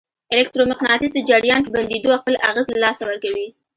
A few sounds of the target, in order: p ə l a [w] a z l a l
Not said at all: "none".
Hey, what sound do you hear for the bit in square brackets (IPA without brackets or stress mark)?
ɣ